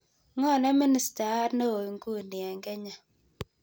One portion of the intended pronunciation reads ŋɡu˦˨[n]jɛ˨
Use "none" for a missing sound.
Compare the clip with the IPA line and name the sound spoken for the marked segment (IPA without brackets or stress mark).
n